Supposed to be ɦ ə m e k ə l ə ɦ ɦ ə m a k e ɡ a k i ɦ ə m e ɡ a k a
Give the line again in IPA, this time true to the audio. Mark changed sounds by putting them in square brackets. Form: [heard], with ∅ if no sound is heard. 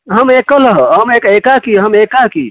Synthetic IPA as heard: ɦ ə m e k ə l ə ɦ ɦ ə m [e] k e [k] a k i ɦ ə m e [k] a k [i]